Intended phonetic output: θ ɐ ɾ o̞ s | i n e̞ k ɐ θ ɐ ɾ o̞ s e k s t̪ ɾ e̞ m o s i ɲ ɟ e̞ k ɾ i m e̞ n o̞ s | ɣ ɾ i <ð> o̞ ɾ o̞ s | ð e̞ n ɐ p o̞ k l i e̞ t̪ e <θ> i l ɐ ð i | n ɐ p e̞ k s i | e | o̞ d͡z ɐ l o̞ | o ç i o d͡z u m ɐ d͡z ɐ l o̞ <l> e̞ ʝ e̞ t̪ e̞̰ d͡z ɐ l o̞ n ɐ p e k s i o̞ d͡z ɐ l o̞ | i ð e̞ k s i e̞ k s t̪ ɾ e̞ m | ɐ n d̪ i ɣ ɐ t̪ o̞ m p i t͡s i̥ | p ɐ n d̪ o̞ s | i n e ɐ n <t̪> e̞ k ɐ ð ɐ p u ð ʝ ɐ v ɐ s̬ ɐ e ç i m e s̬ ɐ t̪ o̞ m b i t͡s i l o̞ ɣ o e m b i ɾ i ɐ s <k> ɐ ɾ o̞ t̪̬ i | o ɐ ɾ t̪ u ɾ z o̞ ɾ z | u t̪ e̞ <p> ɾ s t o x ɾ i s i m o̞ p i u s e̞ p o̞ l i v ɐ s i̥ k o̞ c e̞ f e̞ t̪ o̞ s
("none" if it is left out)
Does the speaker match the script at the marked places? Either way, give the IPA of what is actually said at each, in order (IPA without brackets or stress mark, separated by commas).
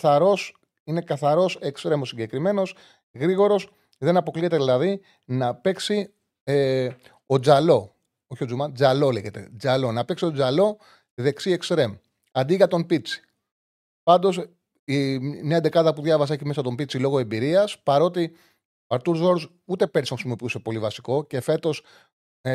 ɣ, ð, l, d̪, p, p